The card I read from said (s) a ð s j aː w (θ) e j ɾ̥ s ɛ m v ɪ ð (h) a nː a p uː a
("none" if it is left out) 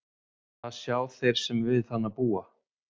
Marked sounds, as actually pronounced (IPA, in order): θ, θ, θ

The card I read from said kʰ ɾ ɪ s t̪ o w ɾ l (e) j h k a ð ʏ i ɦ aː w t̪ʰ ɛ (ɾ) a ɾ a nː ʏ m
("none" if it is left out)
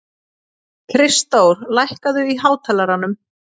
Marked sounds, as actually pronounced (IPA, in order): a, l

